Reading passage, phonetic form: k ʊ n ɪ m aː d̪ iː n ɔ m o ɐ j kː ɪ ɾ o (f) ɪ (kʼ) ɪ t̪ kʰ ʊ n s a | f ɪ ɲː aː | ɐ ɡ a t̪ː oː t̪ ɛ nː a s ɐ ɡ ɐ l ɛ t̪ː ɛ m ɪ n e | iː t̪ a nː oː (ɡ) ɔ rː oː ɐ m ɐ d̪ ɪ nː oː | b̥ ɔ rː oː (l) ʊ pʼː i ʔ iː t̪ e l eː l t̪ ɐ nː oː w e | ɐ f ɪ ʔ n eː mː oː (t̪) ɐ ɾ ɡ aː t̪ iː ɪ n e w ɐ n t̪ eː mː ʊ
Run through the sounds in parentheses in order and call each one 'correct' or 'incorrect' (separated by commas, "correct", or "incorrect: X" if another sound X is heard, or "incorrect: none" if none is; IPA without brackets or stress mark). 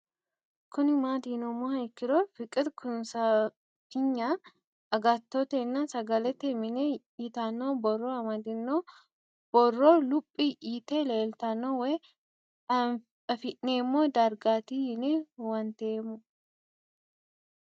correct, correct, incorrect: b, correct, incorrect: d̪